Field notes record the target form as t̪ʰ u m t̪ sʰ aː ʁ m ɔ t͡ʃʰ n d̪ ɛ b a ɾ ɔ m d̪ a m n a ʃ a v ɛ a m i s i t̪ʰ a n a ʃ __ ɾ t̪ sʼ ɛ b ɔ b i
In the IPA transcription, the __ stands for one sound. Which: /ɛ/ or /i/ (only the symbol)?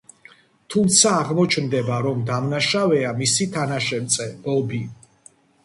ɛ